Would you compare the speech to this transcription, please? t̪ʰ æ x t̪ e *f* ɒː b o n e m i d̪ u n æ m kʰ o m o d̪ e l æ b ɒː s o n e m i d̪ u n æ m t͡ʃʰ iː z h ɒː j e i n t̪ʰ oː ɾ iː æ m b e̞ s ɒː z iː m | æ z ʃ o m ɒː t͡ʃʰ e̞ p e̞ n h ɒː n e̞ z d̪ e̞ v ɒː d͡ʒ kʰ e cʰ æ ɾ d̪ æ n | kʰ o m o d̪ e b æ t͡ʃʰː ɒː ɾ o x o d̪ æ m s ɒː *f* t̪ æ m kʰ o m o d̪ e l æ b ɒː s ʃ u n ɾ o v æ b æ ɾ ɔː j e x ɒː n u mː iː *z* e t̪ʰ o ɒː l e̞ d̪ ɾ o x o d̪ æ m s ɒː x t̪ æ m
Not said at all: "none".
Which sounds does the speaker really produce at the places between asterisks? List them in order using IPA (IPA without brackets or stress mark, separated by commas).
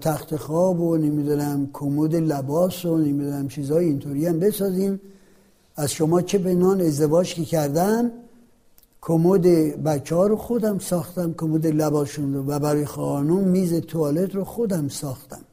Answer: x, x, z